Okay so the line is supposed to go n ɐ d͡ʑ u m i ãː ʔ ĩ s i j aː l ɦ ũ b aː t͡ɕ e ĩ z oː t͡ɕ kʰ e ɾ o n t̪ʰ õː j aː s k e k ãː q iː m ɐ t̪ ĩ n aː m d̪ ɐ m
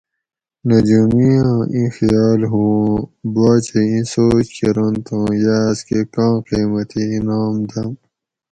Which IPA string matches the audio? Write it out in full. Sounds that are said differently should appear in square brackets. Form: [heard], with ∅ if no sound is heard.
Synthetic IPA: n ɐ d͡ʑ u m i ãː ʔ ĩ [x] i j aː l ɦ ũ b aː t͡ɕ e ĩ [s] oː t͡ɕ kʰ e ɾ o n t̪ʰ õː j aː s k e k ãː q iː m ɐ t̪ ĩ n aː m d̪ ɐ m